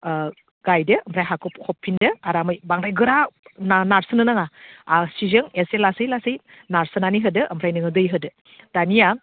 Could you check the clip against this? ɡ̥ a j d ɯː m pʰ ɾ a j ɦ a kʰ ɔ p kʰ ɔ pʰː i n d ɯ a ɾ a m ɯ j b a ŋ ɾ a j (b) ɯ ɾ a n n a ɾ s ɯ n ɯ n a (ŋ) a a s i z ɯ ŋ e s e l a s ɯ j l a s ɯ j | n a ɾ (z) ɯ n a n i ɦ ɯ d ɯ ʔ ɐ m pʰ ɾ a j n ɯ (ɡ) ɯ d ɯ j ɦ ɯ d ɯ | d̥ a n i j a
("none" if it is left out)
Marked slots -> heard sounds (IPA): ɡ, ŋ, s, ŋ

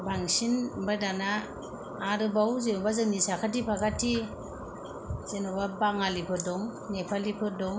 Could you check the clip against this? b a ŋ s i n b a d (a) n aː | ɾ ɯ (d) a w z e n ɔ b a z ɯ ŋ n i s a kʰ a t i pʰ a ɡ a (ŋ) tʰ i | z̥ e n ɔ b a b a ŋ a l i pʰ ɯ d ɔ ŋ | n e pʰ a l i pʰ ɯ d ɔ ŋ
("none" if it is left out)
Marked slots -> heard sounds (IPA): a, b, none

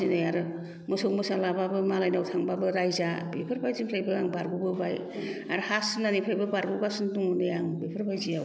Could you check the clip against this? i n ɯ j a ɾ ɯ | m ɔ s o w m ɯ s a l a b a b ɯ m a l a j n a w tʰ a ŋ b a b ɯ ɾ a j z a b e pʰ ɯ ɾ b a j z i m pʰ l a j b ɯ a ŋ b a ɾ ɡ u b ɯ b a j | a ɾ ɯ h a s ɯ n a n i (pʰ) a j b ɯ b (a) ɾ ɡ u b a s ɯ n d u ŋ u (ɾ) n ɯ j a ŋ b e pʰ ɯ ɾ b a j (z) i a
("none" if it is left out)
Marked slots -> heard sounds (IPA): pʰ, a, none, z

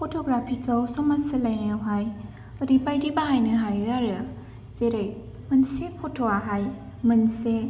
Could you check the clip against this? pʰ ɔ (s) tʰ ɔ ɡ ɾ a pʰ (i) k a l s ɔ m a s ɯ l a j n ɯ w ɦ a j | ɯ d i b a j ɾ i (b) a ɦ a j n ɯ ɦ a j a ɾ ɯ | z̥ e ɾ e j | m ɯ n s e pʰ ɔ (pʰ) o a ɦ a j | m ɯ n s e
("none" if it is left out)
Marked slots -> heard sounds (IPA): none, i, b, tʰ

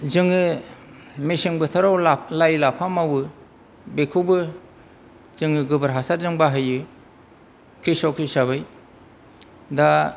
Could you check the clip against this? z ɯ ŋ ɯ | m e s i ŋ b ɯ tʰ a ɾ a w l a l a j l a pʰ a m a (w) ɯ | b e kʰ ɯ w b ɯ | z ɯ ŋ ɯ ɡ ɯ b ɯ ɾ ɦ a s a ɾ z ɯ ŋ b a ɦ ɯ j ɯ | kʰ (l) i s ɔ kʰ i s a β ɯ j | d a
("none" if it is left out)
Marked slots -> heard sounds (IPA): w, ɾ

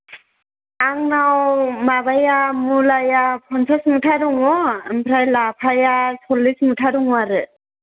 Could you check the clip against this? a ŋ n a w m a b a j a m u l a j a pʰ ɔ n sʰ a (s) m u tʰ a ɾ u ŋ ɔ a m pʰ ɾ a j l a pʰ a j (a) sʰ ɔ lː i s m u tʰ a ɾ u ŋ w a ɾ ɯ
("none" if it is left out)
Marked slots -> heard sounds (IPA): s, a

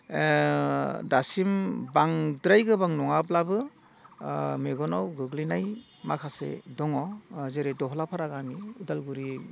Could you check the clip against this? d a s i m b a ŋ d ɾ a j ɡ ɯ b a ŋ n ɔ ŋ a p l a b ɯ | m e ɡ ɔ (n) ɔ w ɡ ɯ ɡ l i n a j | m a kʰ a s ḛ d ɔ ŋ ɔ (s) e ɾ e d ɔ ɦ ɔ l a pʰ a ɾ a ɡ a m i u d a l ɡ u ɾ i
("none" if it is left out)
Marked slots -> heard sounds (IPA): n, z

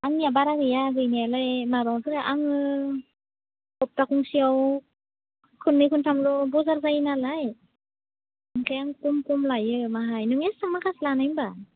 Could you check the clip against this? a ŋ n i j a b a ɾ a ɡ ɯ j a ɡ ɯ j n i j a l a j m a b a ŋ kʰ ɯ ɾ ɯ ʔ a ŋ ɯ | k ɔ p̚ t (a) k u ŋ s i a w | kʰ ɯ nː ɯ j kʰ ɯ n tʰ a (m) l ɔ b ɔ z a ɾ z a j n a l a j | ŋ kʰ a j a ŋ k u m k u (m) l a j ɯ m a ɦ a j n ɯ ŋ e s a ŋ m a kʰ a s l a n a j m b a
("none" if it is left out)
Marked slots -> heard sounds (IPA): a, m, m

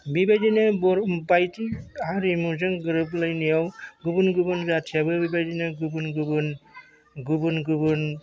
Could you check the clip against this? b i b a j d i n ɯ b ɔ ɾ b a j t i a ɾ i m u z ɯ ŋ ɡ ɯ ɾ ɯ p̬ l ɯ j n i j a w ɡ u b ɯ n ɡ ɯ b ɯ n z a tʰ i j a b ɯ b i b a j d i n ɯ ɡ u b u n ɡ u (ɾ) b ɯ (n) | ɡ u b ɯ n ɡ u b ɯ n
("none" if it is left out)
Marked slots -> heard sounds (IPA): none, n

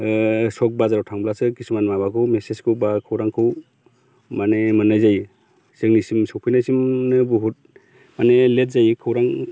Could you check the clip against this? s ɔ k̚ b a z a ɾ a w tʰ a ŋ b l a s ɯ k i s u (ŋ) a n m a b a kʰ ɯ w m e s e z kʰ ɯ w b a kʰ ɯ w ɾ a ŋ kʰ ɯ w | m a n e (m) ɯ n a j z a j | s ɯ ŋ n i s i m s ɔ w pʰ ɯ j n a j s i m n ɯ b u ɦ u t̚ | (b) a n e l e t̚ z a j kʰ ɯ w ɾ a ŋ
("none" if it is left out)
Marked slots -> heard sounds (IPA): m, m, m

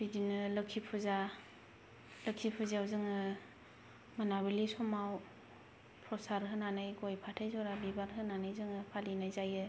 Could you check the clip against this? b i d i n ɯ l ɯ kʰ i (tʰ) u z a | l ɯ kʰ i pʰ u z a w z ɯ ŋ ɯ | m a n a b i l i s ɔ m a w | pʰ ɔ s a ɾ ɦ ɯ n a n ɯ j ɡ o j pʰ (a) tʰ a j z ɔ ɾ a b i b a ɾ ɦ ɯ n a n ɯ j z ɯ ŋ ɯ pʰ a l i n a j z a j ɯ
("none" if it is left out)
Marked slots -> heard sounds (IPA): pʰ, a

